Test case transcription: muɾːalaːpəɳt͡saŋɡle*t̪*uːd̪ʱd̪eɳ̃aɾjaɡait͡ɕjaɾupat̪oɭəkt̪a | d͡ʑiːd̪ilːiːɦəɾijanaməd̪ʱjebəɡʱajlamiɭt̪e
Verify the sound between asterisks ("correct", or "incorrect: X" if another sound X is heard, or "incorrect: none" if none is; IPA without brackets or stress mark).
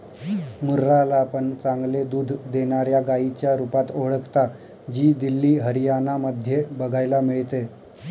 incorrect: d̪